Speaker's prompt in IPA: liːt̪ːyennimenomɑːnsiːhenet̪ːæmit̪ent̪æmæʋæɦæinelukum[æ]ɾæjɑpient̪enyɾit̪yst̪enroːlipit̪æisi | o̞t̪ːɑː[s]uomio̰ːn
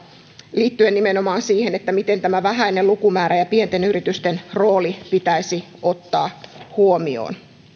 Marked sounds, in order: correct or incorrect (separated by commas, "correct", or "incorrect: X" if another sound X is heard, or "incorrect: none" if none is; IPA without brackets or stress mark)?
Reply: incorrect: æː, incorrect: h